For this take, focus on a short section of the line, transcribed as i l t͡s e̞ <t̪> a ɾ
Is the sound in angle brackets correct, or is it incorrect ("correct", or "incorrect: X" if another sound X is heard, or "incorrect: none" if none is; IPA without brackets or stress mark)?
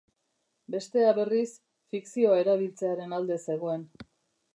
incorrect: none